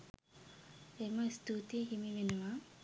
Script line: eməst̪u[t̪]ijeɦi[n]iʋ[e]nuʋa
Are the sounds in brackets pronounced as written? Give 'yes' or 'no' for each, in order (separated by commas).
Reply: yes, no, yes